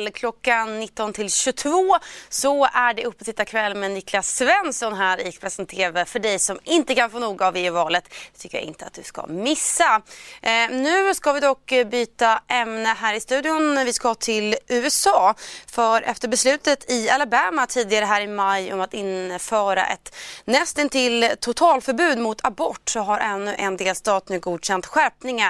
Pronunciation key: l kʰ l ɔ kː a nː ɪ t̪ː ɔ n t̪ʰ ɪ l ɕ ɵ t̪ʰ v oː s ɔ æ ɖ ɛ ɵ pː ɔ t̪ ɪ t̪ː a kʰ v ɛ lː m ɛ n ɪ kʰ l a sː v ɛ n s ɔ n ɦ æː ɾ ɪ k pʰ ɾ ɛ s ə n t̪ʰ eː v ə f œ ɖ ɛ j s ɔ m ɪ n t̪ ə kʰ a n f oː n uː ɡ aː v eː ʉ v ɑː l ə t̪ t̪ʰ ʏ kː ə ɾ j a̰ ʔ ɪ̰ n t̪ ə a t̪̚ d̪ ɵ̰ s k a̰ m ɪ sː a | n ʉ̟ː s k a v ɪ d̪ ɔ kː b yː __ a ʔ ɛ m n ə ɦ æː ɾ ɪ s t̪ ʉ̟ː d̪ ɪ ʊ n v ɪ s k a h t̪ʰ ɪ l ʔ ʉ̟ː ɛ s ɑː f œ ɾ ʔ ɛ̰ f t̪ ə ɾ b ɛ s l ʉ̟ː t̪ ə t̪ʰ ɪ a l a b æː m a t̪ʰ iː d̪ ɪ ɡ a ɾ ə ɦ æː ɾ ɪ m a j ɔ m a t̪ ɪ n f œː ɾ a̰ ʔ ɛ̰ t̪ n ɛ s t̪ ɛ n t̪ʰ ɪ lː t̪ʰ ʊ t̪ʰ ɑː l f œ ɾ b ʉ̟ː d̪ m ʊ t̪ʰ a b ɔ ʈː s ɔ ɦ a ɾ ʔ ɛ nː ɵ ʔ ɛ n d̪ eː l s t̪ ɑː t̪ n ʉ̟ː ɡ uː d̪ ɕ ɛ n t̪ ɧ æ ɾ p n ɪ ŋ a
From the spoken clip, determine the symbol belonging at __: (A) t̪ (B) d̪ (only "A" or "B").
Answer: A